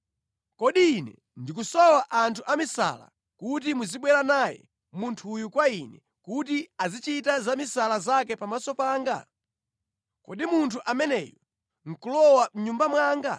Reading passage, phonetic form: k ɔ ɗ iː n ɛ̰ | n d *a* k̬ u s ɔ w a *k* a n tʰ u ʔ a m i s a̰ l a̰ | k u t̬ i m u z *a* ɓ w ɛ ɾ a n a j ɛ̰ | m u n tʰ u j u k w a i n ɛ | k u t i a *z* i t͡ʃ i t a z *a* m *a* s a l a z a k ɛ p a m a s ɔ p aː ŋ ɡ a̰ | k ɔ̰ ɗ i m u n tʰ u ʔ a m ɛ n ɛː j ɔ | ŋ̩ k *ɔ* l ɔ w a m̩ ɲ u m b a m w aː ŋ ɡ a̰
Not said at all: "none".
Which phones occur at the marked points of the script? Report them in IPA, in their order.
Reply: i, ʔ, i, z, a, i, u

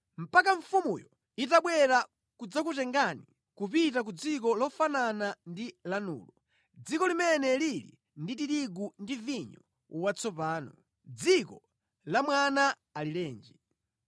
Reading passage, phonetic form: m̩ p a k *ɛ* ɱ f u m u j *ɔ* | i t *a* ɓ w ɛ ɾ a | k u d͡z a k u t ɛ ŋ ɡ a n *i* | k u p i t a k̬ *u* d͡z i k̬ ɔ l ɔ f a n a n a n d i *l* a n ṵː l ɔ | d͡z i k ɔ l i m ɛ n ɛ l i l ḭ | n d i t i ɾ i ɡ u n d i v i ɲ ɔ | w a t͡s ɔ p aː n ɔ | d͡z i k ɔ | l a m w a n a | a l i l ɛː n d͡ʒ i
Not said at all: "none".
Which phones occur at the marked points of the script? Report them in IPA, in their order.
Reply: a, ɔ, a, i, u, l

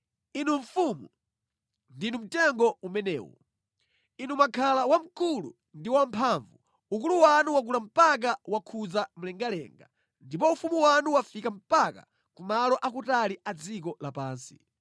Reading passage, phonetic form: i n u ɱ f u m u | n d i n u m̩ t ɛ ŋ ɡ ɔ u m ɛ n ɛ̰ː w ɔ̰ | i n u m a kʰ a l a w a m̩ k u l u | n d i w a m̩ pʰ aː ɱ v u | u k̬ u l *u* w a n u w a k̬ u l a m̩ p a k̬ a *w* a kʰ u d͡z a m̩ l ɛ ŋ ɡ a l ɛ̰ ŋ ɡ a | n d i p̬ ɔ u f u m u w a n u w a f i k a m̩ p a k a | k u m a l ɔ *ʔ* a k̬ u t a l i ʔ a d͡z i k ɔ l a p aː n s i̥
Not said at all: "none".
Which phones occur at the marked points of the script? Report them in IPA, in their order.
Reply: u, w, ʔ

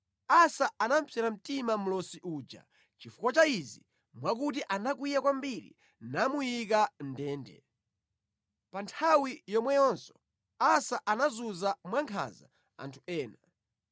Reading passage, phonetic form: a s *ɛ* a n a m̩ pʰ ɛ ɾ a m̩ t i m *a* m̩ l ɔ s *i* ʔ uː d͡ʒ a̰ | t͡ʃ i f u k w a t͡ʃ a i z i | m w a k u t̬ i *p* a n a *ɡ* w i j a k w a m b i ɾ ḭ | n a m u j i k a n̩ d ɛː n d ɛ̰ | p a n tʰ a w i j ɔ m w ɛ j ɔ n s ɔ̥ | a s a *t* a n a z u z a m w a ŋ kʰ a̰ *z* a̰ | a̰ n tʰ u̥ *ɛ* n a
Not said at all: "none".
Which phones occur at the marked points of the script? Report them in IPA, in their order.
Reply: a, a, i, ʔ, k, ʔ, z, ɛː

